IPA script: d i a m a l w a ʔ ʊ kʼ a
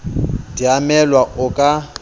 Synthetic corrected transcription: d i a m ɛ l w a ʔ ʊ kʼ a